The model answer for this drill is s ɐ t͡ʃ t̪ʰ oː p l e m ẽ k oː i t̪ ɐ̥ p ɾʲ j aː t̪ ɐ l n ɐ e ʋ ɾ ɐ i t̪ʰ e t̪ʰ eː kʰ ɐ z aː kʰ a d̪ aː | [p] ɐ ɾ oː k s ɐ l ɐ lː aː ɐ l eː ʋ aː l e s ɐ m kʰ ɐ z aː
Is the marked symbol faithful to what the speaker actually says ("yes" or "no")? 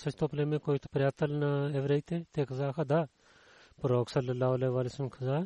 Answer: yes